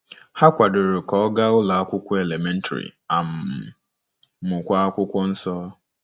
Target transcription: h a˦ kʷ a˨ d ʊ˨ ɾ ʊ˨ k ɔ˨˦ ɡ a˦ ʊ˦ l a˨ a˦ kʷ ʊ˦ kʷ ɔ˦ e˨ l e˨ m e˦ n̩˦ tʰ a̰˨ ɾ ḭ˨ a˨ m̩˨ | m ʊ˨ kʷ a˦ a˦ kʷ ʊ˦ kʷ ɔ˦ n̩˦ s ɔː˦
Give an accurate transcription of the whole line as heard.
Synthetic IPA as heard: h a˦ kʷ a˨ d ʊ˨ ɾ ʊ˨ k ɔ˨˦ ɡ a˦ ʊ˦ l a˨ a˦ kʷ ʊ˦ kʷ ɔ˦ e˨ l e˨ m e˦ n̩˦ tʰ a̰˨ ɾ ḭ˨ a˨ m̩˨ | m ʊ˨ kʷ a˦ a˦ kʷ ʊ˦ kʷ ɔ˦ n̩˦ s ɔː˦